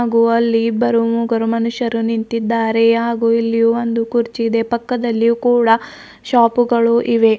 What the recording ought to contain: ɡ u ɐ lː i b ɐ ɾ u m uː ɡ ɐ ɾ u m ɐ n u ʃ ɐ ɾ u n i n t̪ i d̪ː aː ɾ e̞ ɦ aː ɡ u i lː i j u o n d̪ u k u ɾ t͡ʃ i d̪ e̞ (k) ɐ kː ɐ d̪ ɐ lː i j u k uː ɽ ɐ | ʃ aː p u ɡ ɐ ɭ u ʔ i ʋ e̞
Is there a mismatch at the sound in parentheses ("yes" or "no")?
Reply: yes